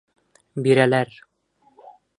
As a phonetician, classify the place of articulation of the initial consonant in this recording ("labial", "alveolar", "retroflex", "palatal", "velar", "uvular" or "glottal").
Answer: labial